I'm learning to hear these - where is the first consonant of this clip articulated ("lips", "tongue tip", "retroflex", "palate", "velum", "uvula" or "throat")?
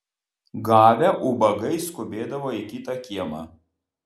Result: velum